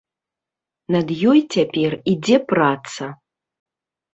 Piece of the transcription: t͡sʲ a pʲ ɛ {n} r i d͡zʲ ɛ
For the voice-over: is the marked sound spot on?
no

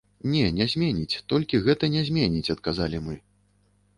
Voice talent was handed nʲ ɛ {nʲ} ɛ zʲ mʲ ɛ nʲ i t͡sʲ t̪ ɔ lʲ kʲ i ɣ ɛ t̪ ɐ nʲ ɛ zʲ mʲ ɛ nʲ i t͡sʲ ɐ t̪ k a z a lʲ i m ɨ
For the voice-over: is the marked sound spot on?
yes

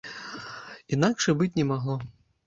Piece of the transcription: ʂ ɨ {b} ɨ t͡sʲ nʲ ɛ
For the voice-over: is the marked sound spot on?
yes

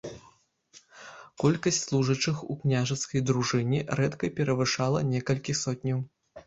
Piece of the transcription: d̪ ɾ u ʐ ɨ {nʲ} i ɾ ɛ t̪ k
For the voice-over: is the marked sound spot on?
yes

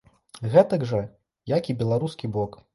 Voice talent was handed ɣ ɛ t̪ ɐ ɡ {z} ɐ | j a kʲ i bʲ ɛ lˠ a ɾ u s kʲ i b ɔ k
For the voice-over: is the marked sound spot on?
no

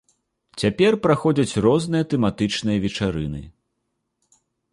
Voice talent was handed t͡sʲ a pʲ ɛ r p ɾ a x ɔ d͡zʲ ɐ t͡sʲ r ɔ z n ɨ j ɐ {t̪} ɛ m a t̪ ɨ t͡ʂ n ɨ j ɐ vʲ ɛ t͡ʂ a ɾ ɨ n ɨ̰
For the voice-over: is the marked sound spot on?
yes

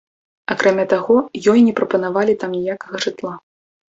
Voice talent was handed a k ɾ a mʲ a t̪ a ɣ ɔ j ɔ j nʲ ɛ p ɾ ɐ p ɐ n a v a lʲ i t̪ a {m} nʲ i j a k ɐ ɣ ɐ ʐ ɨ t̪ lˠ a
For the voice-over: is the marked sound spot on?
yes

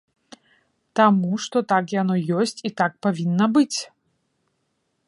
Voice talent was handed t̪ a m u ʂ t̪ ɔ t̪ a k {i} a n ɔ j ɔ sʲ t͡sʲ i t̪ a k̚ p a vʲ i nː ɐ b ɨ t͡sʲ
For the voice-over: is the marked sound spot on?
no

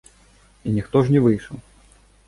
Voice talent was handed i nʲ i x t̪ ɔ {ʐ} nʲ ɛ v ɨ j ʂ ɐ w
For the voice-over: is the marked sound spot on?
yes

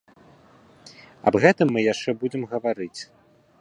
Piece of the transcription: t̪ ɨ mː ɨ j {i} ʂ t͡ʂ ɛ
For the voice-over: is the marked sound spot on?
no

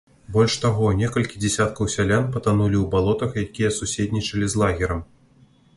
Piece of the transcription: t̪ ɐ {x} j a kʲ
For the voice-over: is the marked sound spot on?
yes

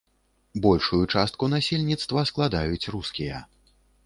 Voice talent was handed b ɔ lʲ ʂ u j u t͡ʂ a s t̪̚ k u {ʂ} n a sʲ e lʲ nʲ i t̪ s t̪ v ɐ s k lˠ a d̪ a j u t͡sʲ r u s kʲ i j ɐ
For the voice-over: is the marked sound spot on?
no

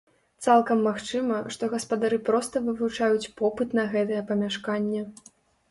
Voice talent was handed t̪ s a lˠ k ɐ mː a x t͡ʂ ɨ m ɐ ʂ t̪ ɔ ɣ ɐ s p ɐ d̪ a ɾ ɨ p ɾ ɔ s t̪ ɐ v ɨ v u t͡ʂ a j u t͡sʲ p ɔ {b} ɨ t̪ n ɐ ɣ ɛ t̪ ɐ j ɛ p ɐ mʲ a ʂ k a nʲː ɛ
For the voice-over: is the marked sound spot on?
no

